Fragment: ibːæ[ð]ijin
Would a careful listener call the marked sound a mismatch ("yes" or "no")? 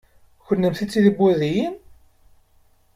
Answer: no